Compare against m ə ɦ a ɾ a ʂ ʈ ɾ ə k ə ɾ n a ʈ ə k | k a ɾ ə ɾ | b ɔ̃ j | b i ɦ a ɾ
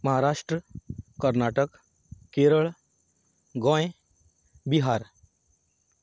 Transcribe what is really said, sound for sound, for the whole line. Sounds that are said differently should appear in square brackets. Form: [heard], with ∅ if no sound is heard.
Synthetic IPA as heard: m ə ɦ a ɾ a ʂ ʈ ɾ ə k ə ɾ n a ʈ ə k | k [e] ɾ ə [ɭ] | [ɡ] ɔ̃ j | b i ɦ a ɾ